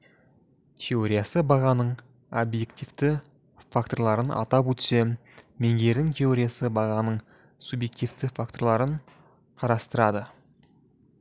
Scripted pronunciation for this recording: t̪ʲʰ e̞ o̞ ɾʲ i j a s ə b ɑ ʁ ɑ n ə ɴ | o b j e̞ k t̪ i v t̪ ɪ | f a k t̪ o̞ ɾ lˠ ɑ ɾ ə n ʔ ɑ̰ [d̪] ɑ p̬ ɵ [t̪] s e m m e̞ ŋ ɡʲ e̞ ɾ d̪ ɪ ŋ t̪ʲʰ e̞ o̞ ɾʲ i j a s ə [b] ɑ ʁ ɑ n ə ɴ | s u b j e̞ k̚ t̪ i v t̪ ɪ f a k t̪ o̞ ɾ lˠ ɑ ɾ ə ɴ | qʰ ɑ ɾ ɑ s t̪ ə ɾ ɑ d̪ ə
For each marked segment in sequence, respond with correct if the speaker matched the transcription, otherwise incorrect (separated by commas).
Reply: incorrect, correct, correct